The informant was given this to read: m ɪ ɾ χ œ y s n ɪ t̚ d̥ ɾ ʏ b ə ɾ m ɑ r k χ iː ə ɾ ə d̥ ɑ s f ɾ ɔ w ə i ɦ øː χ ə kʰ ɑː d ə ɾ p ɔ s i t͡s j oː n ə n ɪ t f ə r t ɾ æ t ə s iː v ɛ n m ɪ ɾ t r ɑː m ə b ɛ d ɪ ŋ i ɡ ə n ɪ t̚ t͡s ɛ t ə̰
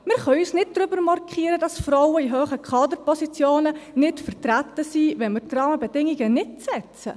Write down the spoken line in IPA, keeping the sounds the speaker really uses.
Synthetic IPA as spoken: m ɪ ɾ χ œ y s n ɪ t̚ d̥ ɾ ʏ b ə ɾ m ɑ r k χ iː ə ɾ ə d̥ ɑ s f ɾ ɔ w ə i ɦ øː χ ə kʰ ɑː d ə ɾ p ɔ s i t͡s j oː n ə n ɪ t f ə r t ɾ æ t ə s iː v ɛ n m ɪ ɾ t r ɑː m ə b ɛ d ɪ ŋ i ɡ ə n ɪ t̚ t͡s ɛ t͡s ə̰